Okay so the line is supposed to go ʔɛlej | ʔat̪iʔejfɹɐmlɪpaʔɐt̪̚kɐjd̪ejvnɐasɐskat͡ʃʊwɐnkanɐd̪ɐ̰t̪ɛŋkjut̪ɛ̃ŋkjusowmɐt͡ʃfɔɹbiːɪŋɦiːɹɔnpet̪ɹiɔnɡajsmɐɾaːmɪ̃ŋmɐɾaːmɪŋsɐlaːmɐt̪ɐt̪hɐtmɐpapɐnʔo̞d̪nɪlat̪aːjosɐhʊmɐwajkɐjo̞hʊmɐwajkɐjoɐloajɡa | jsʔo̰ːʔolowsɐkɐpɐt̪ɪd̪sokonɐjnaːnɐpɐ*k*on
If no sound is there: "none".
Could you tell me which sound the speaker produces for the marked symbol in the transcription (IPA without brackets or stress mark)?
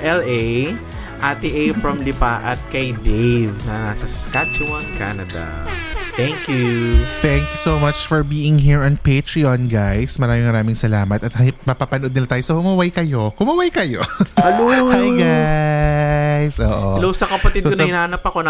k